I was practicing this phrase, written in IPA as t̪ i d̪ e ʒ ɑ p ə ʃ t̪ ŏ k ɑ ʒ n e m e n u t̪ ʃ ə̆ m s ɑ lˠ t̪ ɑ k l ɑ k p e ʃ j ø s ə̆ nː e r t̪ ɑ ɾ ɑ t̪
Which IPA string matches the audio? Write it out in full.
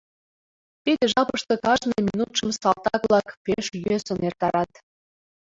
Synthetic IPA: t̪ i d̪ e ʒ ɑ p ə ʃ t̪ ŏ k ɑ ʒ n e m i n u t̪ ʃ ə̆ m s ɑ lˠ t̪ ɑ k l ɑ k p e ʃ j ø s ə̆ n e r t̪ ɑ ɾ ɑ t̪